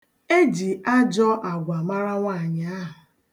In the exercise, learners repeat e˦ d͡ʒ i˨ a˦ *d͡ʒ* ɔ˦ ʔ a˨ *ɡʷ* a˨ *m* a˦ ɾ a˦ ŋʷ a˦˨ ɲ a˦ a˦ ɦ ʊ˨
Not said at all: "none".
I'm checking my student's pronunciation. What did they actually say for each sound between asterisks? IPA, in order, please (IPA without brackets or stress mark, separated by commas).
d͡ʒ, ɡʷ, m